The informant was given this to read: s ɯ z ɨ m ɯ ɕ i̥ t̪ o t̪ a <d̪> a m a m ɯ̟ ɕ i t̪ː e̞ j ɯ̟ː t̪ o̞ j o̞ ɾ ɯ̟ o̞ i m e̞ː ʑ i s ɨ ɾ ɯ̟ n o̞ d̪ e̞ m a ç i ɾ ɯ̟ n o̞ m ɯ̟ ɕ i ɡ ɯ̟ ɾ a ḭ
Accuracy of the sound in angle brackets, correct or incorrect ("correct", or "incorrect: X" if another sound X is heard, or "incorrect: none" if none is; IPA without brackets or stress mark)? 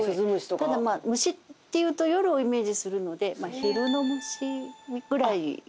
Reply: correct